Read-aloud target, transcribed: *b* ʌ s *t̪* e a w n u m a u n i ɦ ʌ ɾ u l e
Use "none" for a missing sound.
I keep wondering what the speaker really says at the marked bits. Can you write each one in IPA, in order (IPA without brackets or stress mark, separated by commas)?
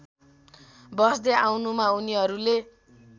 b, d̪